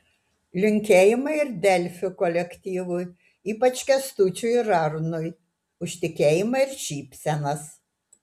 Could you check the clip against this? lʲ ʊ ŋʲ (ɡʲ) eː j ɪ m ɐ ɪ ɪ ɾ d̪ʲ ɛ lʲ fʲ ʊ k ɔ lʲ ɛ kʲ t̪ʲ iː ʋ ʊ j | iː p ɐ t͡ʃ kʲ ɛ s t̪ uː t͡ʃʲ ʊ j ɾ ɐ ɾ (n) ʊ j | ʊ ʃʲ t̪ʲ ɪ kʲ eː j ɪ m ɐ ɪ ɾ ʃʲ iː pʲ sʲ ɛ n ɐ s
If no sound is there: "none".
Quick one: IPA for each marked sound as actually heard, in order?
kʲ, n

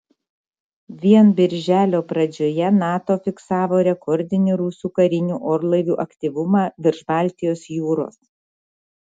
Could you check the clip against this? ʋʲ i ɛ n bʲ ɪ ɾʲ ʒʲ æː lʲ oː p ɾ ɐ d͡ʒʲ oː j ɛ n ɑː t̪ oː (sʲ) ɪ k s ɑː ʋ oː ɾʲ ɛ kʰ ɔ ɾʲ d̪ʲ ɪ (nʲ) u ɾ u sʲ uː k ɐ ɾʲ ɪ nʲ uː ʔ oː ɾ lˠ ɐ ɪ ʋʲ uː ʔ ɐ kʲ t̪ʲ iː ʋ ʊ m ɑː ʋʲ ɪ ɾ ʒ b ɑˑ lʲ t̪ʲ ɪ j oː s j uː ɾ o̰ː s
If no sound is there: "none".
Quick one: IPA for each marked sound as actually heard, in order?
fʲ, nʲ

